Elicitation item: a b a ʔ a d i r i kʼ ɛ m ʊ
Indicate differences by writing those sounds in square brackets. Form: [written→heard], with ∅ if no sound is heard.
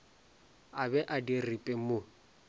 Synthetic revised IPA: a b [a→ɛ] ʔ a d i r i [kʼ→pʼ] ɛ m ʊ